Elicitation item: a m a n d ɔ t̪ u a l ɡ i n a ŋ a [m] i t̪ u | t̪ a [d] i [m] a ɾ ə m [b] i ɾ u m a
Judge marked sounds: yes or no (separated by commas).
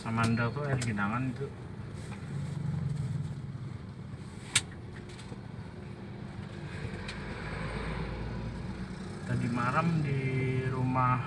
no, yes, yes, no